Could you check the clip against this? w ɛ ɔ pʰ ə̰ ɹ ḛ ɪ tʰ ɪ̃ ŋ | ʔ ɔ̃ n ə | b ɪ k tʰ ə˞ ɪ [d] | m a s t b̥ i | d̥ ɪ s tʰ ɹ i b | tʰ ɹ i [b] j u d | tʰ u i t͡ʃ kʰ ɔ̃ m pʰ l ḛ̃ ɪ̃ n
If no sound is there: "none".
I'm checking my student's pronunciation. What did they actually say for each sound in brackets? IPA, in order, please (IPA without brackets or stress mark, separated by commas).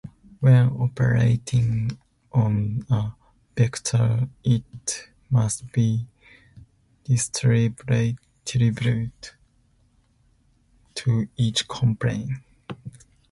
t, b